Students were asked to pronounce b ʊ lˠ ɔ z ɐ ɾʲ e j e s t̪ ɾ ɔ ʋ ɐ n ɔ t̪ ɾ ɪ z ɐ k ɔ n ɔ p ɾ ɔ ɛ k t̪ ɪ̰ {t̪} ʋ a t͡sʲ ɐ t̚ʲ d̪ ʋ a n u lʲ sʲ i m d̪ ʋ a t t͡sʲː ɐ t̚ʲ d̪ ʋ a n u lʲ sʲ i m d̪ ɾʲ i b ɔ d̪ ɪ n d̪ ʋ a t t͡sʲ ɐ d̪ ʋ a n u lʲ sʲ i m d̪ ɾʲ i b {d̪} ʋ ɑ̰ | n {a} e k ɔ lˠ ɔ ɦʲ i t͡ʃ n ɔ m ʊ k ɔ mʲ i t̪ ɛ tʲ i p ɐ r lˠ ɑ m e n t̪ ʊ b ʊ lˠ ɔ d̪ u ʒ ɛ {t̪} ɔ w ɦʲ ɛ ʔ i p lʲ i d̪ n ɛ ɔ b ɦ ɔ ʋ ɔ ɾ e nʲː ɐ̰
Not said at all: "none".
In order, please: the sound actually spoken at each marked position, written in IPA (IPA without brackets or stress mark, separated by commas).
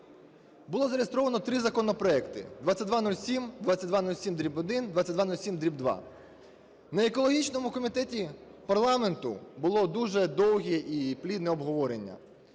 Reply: d̪, d̪, ɐ, d̪